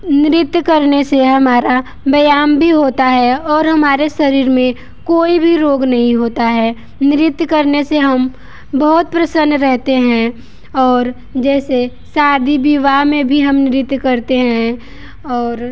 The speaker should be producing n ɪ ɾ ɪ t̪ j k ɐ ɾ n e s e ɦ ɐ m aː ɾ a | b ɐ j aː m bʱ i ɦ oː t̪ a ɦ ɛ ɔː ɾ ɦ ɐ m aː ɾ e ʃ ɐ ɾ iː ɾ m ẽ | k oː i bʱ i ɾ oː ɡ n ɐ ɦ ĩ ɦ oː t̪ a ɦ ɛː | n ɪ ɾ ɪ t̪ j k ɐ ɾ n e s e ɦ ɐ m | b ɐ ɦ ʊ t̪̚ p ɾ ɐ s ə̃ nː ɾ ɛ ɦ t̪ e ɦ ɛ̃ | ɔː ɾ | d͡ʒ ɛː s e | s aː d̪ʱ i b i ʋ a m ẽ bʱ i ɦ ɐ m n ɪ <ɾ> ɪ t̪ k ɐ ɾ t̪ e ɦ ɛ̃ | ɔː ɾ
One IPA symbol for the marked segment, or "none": ɾ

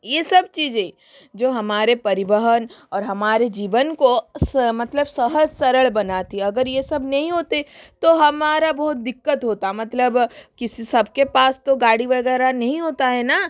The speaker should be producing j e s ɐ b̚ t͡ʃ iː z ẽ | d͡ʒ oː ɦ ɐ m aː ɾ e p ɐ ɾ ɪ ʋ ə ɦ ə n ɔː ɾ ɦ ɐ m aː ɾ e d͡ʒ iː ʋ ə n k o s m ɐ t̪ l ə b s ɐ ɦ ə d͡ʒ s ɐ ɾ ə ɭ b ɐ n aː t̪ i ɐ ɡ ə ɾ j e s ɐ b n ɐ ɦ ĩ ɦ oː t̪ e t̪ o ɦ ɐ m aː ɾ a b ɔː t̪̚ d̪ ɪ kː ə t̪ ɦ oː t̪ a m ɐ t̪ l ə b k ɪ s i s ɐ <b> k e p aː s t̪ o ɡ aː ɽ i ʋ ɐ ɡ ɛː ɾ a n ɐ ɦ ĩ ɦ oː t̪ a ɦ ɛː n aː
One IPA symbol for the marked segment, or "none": b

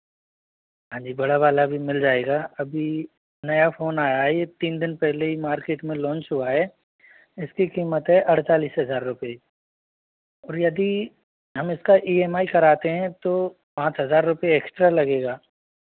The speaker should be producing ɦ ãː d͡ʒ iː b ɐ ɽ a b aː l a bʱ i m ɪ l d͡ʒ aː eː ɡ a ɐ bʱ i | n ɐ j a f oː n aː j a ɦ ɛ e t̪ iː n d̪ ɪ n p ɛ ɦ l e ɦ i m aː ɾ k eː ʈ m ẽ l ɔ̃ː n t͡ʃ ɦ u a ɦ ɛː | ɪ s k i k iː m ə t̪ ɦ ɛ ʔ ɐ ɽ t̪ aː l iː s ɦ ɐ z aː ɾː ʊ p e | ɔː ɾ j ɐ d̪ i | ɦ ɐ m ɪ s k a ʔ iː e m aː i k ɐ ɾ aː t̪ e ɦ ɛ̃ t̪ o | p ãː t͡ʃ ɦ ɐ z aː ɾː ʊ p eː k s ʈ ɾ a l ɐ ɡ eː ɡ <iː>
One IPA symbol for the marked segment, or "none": aː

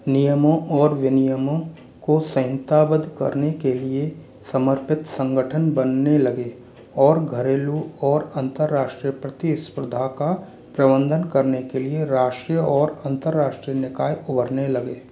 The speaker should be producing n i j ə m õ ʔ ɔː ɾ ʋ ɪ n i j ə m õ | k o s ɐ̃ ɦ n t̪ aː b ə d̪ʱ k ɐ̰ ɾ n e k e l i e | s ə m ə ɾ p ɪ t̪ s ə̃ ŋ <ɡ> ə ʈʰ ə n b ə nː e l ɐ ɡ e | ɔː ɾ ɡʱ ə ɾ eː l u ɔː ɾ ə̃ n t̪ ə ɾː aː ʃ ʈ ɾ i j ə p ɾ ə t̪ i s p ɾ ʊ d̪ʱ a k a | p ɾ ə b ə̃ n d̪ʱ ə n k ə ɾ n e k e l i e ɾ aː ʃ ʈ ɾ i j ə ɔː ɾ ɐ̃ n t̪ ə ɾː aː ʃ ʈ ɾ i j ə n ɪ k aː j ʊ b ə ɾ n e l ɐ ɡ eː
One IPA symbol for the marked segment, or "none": ɡ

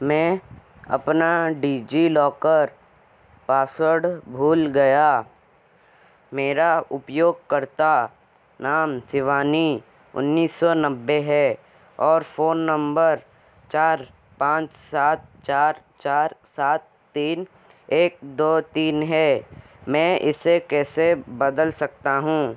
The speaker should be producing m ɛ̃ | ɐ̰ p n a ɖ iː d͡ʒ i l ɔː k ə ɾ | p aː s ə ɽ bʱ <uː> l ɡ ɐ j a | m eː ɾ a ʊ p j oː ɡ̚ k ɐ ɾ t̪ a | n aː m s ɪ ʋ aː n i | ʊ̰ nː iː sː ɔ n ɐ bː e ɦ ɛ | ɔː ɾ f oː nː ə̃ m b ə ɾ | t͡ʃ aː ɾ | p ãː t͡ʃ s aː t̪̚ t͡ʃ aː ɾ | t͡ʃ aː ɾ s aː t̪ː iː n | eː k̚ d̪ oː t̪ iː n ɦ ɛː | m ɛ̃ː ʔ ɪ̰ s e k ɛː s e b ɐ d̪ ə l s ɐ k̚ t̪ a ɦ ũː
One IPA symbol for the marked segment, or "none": uː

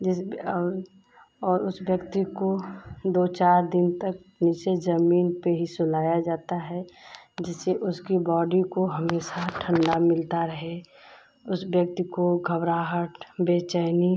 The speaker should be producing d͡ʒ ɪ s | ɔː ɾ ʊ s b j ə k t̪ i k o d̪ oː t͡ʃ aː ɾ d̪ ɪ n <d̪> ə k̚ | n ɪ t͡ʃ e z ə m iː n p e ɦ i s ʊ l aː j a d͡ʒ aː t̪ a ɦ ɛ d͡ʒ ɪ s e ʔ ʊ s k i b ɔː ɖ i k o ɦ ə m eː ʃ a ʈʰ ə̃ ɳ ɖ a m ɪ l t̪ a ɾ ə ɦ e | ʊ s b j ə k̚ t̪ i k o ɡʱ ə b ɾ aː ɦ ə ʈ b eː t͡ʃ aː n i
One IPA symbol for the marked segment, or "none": t̪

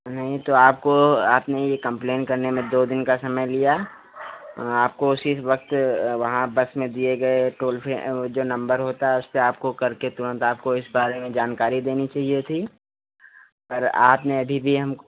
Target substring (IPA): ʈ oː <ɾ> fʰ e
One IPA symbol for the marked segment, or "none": l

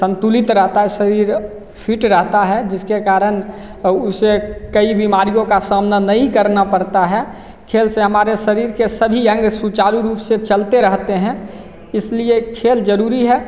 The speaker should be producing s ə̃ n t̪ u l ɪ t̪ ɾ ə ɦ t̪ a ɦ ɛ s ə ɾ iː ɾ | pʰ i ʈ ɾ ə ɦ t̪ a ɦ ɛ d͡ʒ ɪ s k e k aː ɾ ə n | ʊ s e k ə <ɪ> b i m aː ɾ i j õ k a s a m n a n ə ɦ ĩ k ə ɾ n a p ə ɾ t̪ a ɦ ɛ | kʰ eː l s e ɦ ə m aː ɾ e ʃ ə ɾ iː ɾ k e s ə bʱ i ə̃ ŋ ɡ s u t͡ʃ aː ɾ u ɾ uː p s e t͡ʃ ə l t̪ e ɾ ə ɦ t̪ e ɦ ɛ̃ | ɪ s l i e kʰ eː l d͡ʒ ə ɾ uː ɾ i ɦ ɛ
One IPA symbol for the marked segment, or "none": i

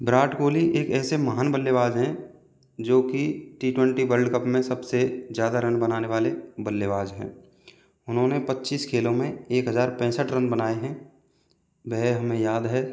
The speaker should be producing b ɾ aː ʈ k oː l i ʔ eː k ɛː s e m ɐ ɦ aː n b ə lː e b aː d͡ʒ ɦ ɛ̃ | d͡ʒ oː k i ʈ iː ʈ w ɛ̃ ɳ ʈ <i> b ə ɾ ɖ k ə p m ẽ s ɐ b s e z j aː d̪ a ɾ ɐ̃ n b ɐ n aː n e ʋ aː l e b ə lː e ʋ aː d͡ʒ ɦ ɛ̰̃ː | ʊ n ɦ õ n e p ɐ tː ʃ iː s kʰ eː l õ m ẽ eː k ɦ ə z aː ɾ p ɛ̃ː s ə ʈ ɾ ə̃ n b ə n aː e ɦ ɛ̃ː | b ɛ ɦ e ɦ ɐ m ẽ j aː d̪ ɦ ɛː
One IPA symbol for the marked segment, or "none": i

